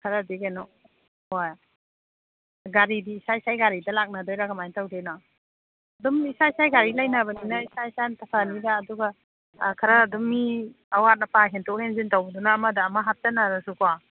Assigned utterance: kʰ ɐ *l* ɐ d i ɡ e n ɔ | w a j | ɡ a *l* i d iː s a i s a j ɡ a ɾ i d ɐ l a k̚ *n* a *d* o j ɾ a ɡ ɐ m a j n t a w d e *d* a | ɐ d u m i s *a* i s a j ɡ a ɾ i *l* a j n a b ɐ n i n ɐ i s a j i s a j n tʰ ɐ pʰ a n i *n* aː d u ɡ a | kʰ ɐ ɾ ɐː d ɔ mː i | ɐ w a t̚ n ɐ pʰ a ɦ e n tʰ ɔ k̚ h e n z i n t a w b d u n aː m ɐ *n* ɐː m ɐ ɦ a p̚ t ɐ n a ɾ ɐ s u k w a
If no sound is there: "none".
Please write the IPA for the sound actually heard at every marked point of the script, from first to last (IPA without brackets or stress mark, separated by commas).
ɾ, ɾ, n, d, n, a, l, d, d